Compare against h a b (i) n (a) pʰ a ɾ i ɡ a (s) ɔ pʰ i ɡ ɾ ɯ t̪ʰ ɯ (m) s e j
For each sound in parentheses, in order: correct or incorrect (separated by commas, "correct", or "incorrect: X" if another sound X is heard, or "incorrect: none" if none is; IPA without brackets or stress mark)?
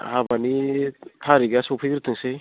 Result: incorrect: a, incorrect: i, correct, incorrect: ŋ